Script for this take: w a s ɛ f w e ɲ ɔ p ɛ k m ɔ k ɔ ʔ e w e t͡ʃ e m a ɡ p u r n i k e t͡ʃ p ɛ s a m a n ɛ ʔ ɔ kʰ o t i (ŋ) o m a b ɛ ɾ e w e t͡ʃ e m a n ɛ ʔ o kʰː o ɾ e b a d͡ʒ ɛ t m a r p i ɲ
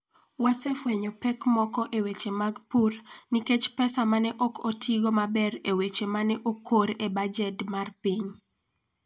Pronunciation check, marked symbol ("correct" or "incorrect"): incorrect